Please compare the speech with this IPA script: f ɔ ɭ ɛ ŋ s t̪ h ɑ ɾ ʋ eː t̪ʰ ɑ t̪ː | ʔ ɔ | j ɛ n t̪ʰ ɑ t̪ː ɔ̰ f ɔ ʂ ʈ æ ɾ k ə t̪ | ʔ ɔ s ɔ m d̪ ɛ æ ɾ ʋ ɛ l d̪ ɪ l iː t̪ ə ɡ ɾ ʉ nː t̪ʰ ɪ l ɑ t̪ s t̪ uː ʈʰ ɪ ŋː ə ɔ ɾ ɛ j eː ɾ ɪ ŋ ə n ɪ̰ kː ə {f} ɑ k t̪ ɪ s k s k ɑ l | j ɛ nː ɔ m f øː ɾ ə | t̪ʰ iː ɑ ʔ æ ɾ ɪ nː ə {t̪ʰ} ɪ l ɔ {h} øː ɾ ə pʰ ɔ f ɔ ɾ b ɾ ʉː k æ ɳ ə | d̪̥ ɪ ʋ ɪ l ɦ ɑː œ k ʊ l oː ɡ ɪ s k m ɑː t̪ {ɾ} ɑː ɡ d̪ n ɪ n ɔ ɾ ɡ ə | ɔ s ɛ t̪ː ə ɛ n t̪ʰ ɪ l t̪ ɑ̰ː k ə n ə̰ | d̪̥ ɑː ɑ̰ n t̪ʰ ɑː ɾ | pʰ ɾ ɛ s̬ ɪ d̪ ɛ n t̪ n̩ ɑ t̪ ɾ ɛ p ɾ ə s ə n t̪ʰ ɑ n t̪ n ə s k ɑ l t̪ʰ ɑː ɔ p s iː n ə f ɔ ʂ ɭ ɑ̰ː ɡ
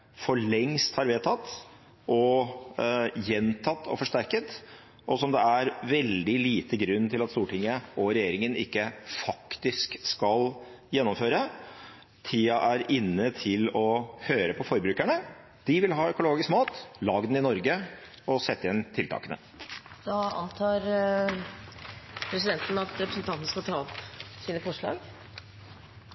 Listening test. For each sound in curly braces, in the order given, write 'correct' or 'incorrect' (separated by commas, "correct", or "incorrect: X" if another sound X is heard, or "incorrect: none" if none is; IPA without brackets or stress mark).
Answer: correct, correct, correct, incorrect: l